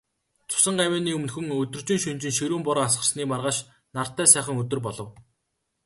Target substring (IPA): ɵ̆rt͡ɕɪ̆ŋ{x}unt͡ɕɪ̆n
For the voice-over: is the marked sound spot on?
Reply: no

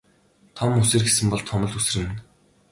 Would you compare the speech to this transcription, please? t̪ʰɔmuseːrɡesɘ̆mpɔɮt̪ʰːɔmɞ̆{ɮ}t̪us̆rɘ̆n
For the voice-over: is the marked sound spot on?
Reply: yes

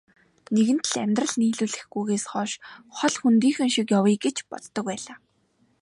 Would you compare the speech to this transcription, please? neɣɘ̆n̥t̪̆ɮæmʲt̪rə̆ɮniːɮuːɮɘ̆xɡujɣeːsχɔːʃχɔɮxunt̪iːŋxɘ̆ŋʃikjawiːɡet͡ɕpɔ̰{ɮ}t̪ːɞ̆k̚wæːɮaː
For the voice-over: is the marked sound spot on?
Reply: yes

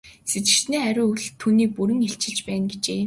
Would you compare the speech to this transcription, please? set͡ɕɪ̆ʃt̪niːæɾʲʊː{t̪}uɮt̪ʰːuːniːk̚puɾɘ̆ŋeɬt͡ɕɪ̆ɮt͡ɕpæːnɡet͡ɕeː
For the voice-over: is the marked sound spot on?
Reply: no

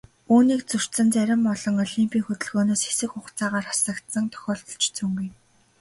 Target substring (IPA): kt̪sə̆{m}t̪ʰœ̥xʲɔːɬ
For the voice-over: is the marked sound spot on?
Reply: no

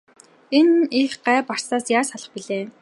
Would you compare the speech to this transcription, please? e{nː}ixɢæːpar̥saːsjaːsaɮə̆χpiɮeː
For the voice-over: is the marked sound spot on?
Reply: no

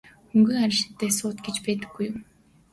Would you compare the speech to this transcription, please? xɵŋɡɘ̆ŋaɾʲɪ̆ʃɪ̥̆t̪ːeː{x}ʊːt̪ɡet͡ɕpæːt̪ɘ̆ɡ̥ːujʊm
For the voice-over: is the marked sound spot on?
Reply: no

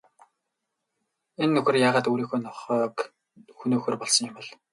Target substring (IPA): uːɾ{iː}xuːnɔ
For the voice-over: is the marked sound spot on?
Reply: yes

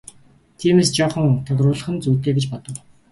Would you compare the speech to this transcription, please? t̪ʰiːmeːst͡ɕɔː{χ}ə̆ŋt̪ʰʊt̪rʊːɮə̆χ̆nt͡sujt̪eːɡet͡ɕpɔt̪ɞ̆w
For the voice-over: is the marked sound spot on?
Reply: yes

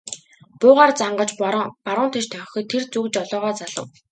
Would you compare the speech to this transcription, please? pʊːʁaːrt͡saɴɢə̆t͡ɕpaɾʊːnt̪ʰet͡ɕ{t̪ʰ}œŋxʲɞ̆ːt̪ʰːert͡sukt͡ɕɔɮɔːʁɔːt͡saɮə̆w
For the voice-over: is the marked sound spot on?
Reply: yes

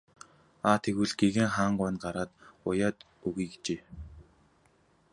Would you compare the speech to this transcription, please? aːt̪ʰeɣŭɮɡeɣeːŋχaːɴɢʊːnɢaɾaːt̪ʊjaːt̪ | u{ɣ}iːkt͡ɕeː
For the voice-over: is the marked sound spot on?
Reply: yes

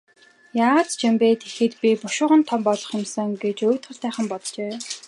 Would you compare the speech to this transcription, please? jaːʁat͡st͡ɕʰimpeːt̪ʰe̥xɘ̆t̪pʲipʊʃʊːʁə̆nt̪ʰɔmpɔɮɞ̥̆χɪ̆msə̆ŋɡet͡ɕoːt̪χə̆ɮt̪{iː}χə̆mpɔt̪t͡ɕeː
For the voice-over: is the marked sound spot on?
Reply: no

